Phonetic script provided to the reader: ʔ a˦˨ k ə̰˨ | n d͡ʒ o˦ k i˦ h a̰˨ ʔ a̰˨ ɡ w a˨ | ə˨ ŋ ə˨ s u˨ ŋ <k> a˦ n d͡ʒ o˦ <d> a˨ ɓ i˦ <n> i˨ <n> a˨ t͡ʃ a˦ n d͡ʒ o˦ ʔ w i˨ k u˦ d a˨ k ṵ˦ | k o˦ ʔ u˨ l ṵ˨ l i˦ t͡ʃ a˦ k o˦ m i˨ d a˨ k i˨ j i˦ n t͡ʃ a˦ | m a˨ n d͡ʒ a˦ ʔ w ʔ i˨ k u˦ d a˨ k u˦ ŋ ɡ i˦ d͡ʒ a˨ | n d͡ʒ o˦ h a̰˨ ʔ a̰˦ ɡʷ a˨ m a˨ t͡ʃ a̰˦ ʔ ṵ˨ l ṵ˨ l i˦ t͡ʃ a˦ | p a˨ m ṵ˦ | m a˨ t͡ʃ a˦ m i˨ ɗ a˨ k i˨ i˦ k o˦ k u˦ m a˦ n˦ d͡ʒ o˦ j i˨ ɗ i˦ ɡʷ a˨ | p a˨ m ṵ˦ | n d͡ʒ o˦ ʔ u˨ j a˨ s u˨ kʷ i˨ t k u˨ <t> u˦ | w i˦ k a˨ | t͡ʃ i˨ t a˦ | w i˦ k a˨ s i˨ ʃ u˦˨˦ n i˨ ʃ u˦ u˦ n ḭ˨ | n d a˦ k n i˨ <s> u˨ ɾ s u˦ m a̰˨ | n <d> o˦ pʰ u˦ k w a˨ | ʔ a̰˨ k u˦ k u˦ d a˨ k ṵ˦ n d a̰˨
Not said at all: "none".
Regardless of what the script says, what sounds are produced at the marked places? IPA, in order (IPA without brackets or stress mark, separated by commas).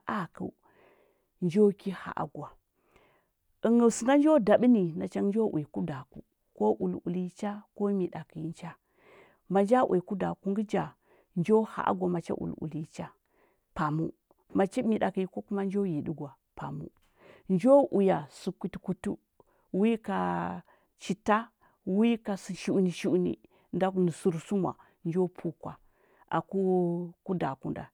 ɡ, d, n, n, t, s, d͡ʒ